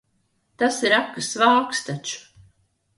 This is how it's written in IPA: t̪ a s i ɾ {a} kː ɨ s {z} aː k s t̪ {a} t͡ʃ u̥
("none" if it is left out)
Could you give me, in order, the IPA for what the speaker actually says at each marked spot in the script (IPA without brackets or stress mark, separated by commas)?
a, v, a